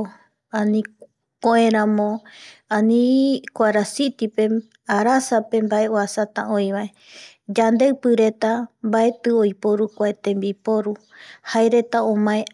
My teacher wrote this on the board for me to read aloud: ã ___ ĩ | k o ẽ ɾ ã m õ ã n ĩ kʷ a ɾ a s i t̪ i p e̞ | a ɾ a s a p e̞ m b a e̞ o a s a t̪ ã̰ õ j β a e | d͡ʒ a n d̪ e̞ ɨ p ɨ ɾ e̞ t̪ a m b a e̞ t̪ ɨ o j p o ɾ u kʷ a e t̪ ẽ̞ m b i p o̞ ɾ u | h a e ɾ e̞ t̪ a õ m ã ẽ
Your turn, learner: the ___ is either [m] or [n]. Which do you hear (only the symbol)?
n